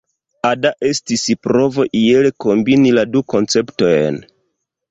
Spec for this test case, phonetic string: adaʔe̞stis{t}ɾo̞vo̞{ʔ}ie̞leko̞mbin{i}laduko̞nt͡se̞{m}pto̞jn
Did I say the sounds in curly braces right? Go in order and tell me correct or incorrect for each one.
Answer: incorrect: p, correct, correct, incorrect: none

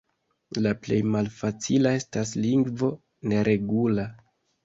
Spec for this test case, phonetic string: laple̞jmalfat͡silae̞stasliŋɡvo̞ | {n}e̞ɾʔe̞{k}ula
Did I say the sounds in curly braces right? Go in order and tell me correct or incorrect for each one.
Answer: correct, incorrect: ɡ

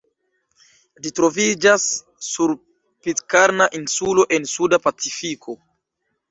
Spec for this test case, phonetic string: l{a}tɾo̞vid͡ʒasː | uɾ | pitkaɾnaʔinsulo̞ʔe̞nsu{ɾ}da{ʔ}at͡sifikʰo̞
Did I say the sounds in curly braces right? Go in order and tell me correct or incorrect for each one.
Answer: incorrect: i, incorrect: none, incorrect: p

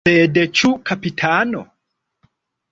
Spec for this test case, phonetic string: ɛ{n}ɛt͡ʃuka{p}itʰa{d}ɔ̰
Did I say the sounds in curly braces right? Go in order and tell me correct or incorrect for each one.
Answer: incorrect: d, correct, incorrect: n

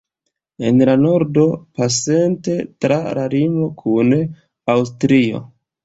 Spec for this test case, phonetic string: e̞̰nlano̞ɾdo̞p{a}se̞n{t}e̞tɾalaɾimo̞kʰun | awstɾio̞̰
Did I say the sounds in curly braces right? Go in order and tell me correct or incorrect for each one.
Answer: correct, correct

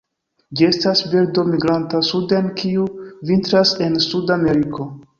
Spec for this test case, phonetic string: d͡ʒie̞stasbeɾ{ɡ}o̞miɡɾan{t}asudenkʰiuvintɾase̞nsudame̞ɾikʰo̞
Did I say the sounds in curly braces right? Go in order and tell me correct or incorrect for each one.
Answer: incorrect: d, correct

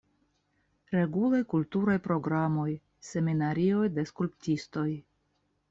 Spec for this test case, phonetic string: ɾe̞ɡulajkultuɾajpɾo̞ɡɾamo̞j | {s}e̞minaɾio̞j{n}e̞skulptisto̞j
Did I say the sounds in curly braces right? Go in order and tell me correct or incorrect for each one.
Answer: correct, incorrect: d

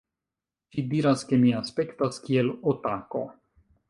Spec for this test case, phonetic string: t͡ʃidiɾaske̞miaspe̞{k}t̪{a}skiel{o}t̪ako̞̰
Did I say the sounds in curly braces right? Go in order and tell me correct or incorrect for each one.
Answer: correct, correct, correct

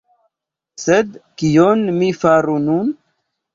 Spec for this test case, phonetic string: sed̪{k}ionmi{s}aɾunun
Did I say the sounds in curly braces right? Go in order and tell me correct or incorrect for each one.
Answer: correct, incorrect: f

